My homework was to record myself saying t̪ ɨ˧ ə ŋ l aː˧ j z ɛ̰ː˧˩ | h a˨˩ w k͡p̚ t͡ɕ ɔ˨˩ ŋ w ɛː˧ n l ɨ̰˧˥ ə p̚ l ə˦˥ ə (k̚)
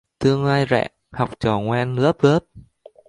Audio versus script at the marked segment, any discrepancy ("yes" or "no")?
yes